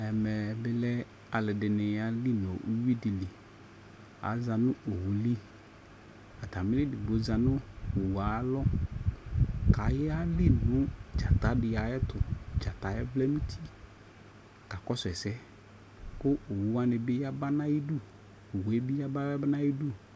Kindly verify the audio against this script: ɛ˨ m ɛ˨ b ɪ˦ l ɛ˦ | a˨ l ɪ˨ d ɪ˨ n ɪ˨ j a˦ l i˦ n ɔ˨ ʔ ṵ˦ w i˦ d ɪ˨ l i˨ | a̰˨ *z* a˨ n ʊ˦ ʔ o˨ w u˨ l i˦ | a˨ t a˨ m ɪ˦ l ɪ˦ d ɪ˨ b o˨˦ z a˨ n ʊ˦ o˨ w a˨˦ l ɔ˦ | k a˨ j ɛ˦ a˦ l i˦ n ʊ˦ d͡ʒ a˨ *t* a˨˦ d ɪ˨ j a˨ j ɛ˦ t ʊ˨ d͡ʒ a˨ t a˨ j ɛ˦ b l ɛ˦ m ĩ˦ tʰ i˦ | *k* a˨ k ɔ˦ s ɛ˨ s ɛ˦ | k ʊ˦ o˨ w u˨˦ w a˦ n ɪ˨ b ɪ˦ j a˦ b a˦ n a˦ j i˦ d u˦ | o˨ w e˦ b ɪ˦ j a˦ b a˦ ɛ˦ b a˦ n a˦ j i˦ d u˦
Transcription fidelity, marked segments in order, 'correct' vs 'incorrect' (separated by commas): correct, correct, correct